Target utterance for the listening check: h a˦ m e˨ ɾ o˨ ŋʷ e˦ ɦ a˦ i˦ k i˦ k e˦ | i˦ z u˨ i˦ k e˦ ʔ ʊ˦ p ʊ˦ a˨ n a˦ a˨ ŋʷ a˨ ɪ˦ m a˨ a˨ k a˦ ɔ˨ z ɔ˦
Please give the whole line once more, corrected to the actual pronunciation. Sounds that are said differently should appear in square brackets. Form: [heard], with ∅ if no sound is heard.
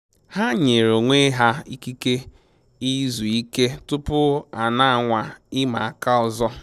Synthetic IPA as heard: h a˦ [ɲ] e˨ ɾ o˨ ŋʷ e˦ ɦ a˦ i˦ k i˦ k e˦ | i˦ z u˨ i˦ k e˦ [t] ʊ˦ p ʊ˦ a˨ n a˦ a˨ ŋʷ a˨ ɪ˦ m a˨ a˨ k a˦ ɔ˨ z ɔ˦